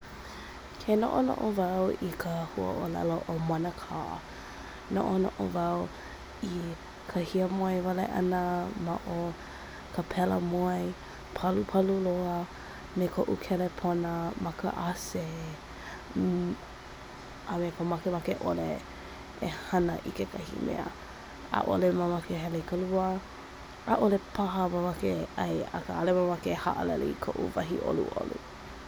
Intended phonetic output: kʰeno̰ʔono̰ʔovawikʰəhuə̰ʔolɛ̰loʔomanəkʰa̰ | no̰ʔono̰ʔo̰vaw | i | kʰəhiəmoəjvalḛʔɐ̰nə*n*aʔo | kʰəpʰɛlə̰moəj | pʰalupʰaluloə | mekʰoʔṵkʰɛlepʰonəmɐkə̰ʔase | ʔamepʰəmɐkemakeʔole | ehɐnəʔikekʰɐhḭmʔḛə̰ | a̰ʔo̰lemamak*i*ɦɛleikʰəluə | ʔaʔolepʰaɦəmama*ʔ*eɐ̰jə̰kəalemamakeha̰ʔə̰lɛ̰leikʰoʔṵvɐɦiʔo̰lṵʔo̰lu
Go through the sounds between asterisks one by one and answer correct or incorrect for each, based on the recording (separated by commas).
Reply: incorrect, incorrect, incorrect